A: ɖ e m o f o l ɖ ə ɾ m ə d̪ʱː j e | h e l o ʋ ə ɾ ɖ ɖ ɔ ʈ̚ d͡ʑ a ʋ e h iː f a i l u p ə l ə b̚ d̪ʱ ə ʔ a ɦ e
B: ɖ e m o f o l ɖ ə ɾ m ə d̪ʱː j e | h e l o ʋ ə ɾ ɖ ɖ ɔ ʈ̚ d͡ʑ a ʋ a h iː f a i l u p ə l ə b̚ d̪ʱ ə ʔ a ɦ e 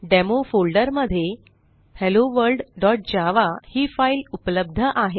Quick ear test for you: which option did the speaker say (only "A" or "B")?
B